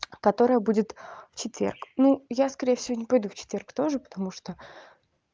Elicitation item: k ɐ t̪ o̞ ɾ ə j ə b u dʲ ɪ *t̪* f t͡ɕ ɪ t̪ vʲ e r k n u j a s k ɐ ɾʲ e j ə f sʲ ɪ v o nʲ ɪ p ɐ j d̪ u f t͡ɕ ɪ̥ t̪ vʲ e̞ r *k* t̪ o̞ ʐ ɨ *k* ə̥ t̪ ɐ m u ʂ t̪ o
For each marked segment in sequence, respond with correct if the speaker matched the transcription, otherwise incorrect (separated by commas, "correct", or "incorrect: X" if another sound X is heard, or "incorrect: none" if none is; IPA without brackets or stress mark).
correct, correct, incorrect: p